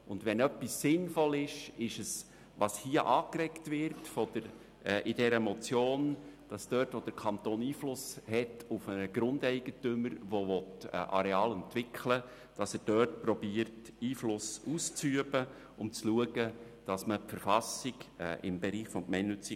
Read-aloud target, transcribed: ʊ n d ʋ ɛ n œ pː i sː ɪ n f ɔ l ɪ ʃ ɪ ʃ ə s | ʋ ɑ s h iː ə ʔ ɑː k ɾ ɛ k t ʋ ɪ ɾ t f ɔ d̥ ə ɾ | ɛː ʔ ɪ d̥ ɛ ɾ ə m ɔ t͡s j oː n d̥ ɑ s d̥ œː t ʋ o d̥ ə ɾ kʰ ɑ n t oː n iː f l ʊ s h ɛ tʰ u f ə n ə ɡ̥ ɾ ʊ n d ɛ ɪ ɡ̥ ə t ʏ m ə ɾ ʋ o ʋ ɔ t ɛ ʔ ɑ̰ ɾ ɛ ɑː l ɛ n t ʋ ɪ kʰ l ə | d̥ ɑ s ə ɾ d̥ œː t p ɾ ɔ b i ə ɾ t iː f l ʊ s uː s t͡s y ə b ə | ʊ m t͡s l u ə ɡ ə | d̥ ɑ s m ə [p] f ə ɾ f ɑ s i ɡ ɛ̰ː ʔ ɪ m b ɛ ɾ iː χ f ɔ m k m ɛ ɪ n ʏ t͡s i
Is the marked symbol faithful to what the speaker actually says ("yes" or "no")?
yes